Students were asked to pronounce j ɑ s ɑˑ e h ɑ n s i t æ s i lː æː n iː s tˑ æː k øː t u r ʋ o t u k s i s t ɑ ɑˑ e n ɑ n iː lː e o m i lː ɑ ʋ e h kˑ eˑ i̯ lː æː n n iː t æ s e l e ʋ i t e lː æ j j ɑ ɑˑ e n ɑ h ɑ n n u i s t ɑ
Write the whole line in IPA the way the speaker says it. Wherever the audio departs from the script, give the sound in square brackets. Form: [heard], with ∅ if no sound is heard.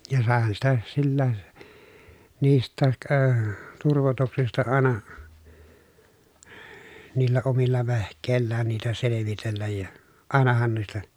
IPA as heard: j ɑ s ɑˑ e h ɑ n s i t æ s i lː æː n iː s tˑ æː k øː t u r ʋ o t u k s i s t ɑ ɑˑ e n ɑ n iː lː [æ] o m i lː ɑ ʋ e h kˑ eˑ i̯ lː æː n n iː t æ s e l e ʋ i t e lː æ j j ɑ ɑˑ e n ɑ h ɑ n n u i s t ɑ